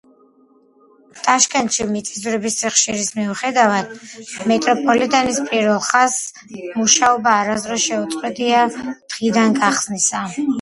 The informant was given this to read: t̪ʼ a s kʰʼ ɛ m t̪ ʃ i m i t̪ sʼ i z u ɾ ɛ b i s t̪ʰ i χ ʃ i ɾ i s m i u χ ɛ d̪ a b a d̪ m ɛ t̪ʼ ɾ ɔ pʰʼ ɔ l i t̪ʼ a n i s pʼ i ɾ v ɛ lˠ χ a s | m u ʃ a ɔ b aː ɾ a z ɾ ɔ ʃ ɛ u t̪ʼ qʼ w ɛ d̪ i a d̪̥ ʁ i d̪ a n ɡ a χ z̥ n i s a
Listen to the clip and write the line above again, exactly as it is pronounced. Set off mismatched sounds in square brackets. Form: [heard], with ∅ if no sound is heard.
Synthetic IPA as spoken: t̪ʼ a [ʃ] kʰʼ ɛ [n] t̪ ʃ i m i t̪ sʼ i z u ɾ ɛ b i s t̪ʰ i χ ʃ i ɾ i s m i u χ ɛ d̪ a [v] a d̪ m ɛ t̪ʼ ɾ ɔ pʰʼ ɔ l i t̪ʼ a n i s pʼ i ɾ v ɛ lˠ χ a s | m u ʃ a ɔ b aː ɾ a z ɾ ɔ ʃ ɛ u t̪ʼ qʼ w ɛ d̪ i a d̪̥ ʁ i d̪ a n ɡ a χ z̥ n i s a